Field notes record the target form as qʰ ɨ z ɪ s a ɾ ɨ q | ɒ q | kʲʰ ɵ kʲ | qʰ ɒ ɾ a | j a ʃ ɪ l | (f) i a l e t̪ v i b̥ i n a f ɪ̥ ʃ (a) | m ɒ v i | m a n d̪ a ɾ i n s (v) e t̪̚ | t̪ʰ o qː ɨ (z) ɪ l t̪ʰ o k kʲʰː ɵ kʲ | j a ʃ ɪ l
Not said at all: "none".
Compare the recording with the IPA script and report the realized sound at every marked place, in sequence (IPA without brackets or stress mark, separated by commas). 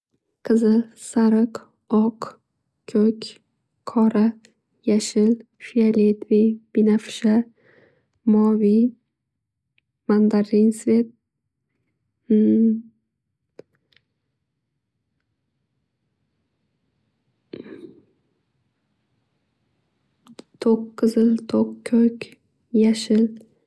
f, a, v, z